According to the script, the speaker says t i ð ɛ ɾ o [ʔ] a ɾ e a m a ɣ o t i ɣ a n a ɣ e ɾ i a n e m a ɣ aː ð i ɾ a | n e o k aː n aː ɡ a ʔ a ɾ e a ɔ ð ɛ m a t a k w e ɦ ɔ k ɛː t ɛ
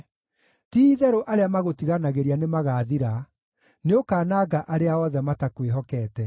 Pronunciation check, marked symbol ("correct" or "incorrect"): correct